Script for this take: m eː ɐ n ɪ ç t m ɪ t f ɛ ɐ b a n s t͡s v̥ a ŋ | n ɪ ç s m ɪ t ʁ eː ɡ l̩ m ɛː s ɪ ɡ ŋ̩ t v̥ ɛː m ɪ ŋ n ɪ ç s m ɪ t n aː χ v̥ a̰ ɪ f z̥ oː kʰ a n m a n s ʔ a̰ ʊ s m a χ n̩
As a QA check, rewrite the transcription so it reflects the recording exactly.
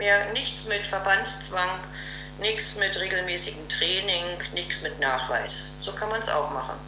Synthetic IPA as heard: m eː ɐ n ɪ ç t͡s m ɪ t f ɛ ɐ b a n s t͡s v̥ a ŋ | n ɪ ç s m ɪ t ʁ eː ɡ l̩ m ɛː s ɪ ɡ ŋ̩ t ʁ̥ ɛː n ɪ ŋ n ɪ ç s m ɪ t n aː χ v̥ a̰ ɪ s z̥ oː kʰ a n m a n s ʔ a̰ ʊ x m a χ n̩